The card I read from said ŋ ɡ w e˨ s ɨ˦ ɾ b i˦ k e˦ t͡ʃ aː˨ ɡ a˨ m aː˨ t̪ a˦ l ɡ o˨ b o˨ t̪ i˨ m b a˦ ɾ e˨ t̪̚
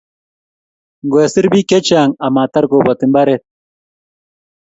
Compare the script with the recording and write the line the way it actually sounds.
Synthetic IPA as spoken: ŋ ɡ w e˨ s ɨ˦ ɾ b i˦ k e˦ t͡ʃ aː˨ ŋ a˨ m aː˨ t̪ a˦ ɾ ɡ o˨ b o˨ t̪ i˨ m b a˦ ɾ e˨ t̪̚